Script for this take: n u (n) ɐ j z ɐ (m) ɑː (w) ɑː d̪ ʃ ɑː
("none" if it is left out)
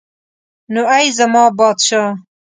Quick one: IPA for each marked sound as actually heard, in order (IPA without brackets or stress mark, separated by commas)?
none, m, b